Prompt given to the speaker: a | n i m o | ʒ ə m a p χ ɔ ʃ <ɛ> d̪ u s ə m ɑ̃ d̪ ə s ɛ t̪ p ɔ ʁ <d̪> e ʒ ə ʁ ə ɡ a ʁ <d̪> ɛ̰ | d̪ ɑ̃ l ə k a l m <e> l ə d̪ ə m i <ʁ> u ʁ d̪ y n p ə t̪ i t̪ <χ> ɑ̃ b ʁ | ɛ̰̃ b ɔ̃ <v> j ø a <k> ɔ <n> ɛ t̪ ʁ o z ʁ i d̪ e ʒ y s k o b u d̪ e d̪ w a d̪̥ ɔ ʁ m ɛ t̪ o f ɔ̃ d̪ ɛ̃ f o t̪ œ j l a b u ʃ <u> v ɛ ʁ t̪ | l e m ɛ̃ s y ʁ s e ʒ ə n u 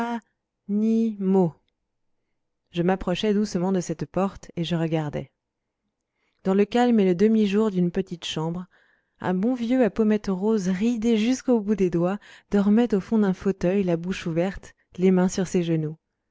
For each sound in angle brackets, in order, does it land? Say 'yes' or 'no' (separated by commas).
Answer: yes, no, yes, yes, no, no, yes, no, no, yes